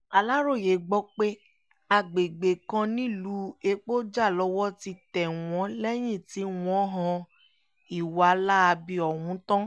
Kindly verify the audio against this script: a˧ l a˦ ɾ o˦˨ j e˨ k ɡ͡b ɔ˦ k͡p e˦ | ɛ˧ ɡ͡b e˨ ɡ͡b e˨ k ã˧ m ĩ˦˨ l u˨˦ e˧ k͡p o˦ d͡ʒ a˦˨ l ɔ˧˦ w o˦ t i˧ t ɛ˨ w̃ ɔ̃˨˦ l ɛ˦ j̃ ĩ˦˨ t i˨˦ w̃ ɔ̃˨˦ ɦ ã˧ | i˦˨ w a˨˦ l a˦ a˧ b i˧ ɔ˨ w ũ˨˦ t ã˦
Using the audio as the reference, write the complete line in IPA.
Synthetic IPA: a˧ l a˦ ɾ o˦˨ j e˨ ɡ͡b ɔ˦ k͡p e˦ | a˧ ɡ͡b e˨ ɡ͡b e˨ k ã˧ n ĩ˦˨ l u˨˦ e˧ k͡p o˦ d͡ʒ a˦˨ l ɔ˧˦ w ɔ˦ t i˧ t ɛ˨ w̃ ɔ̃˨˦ l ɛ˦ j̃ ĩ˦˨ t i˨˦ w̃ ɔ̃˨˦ ɦ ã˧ | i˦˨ w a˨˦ l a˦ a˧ b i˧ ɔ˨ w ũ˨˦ t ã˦